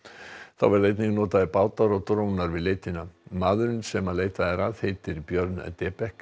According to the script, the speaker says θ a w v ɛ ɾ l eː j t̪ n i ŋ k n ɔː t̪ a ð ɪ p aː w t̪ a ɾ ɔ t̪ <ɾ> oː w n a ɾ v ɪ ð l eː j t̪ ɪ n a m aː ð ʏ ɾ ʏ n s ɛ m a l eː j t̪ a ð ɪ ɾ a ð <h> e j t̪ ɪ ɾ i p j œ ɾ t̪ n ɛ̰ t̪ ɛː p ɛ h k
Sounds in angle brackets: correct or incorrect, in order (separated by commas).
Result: correct, correct